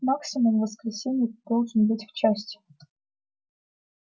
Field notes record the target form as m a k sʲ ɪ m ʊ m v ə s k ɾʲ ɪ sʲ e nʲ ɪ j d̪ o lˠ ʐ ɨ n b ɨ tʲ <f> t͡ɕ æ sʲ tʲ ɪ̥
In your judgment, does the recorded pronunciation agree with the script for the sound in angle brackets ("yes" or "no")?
yes